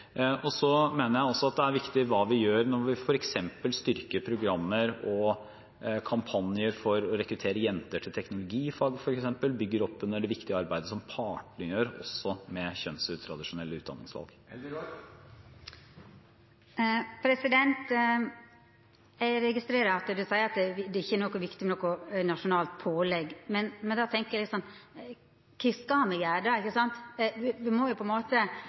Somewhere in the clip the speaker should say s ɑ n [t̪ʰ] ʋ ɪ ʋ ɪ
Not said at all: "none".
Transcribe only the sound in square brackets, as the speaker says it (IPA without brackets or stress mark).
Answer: t̪